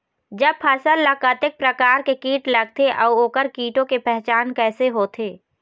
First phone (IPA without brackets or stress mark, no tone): d͡ʒ